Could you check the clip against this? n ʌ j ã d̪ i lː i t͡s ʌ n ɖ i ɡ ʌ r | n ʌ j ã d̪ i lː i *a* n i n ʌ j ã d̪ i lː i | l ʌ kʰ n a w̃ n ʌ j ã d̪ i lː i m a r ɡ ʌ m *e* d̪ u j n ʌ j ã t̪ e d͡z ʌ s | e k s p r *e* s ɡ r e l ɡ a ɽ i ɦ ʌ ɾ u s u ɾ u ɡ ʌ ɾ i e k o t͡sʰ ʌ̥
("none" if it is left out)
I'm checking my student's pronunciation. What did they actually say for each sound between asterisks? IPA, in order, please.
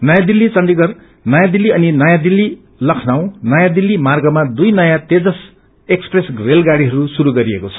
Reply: ʌ, a, e

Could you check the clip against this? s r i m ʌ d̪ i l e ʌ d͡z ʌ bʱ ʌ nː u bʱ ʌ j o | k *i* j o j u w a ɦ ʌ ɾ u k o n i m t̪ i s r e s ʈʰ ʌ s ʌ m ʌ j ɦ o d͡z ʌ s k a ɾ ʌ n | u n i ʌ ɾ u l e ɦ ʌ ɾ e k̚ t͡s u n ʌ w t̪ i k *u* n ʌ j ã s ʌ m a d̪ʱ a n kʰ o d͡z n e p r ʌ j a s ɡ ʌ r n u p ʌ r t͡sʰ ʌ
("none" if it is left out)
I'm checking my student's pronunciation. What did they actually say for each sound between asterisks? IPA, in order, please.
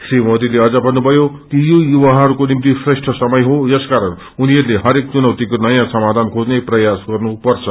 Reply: i, o

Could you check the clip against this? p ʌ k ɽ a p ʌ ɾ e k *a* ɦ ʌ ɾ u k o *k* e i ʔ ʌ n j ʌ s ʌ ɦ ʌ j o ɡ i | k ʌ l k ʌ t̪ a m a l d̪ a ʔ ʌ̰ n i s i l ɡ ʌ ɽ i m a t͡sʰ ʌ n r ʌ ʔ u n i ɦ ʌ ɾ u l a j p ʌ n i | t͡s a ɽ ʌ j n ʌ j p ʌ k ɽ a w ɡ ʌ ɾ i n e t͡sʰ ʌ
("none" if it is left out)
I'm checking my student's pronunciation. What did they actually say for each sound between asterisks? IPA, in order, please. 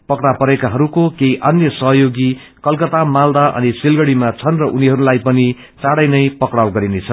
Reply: a, k

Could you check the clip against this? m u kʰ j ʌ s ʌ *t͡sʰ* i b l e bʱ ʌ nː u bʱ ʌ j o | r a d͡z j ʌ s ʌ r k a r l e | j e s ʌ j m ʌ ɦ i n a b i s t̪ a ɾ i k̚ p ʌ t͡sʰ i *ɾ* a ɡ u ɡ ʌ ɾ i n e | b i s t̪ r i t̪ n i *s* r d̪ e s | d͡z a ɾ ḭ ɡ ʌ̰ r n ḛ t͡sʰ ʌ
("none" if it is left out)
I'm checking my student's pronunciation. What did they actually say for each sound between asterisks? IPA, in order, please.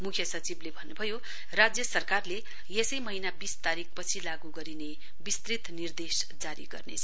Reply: t͡s, l, none

